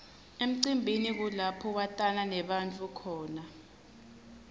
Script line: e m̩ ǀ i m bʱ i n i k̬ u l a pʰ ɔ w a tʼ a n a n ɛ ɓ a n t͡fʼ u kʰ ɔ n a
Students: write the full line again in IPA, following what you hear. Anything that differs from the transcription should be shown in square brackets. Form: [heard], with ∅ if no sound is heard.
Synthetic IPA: e m̩ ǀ i m bʱ i n i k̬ u l a pʰ ɔ w a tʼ a n a n ɛ ɓ a n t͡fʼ u kʰ [ɔː] n a